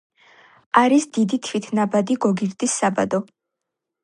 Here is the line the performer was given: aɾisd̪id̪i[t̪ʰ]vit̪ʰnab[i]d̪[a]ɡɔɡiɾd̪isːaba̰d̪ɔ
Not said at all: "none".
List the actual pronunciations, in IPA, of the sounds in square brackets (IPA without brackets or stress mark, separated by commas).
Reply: t̪ʰ, a, i